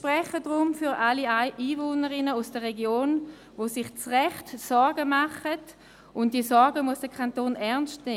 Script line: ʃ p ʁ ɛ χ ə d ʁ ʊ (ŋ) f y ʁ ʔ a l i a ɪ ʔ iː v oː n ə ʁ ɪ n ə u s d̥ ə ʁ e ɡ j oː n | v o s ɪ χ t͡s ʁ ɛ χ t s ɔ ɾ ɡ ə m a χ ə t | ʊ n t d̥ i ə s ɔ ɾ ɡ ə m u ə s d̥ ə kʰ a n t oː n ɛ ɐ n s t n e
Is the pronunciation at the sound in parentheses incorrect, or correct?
incorrect